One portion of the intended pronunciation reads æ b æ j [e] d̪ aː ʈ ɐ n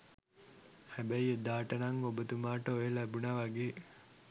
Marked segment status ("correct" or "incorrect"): correct